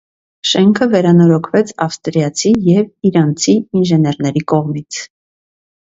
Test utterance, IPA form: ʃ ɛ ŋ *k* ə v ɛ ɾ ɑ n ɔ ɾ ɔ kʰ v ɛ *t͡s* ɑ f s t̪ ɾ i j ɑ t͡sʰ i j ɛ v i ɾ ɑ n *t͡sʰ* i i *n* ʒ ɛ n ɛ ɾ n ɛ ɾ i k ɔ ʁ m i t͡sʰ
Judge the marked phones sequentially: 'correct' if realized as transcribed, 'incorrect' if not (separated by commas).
incorrect, incorrect, correct, correct